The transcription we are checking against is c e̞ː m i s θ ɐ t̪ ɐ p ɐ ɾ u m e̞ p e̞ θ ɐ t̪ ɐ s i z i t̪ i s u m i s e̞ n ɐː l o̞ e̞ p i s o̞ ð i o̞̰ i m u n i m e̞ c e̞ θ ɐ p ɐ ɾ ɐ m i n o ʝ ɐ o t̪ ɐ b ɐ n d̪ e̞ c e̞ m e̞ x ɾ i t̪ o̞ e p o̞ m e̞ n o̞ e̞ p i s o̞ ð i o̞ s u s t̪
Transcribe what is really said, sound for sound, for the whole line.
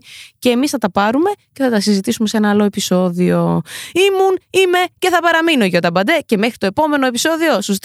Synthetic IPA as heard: c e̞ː m i s θ ɐ t̪ ɐ p ɐ ɾ u m e̞ c e̞ θ ɐ t̪ ɐ s i z i t̪ i s u m e s e̞ n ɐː l o̞ e̞ p i s o̞ ð i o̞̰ i m u n i m e̞ c e̞ θ ɐ p ɐ ɾ ɐ m i n o ʝ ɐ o t̪ ɐ b ɐ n d̪ e̞ c e̞ m e̞ x ɾ i t̪ o̞ e p o̞ m e̞ n o̞ e̞ p i s o̞ ð i o̞ s u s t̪